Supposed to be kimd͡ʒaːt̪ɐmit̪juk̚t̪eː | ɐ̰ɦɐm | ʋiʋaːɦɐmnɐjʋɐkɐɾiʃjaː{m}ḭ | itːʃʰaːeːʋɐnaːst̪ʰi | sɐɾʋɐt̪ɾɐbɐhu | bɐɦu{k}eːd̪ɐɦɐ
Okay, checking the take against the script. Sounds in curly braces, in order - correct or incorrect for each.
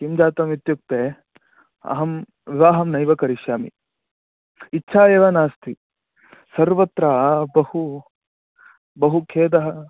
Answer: correct, incorrect

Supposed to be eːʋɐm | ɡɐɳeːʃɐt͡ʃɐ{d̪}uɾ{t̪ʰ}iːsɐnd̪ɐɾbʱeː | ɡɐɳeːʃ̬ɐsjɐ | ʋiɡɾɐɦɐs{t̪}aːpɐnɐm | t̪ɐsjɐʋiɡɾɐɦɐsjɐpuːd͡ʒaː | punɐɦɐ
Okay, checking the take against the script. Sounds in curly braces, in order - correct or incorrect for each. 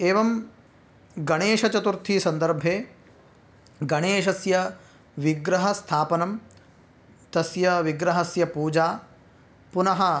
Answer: incorrect, correct, incorrect

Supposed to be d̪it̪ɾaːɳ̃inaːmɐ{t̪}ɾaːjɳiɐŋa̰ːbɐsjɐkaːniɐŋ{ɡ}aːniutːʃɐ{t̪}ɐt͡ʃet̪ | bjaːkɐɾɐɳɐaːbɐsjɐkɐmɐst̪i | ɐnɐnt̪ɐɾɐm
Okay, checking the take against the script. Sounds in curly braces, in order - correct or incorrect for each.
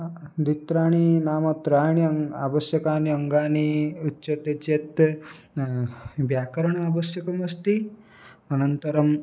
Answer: correct, correct, correct

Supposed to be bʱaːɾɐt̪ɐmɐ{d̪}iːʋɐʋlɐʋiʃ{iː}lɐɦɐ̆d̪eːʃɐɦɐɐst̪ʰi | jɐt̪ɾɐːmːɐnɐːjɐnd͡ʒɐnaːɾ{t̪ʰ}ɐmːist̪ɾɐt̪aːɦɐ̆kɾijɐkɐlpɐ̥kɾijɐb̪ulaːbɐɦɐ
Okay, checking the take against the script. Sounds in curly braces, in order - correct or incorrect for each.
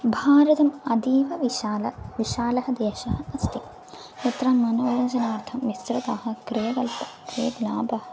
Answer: correct, incorrect, correct

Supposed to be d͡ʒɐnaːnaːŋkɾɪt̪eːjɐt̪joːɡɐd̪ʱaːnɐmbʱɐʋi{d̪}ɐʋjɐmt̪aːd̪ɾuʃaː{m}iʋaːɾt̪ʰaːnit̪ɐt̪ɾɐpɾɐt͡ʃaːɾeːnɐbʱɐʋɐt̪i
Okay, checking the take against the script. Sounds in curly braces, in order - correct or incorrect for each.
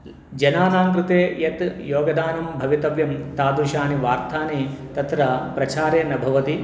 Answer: incorrect, incorrect

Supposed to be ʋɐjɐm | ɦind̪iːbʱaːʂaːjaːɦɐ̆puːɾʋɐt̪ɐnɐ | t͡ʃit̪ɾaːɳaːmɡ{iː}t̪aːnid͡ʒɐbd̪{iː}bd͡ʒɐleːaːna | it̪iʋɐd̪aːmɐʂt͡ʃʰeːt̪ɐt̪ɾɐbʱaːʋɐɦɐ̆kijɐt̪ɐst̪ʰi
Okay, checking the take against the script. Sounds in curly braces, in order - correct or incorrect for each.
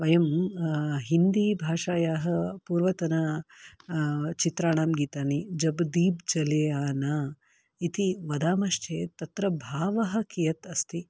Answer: correct, correct

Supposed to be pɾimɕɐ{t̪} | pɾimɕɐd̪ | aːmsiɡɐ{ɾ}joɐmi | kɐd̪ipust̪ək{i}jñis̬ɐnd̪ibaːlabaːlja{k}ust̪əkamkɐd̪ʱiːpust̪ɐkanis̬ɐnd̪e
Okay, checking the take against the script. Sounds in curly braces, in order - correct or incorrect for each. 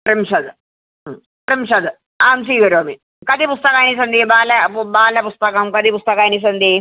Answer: incorrect, correct, incorrect, incorrect

